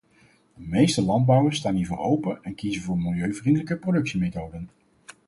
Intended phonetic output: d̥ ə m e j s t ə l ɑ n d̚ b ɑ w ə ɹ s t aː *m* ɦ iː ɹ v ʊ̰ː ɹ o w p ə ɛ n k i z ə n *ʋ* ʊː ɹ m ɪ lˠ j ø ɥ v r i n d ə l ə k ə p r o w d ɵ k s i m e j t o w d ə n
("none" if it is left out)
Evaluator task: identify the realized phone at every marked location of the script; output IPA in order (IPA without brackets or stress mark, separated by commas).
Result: n, v